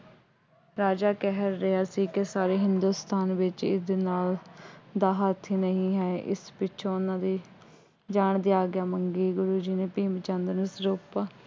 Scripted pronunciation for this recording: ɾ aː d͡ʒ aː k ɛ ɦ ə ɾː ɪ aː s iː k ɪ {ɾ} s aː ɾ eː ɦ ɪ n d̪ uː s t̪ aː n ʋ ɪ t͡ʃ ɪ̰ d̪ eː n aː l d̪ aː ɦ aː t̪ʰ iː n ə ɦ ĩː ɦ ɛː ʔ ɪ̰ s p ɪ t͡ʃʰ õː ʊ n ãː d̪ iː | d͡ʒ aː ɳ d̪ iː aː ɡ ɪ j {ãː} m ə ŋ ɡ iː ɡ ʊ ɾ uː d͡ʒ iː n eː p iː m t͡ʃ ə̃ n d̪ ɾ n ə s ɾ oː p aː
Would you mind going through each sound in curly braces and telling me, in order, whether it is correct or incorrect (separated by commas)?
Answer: incorrect, incorrect